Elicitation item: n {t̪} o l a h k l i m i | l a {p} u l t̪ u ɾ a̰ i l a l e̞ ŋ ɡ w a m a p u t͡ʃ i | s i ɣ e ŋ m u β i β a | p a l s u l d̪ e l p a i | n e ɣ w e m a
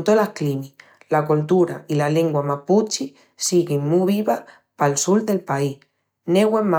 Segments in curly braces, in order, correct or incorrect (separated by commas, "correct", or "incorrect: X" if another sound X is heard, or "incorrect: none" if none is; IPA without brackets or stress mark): correct, incorrect: k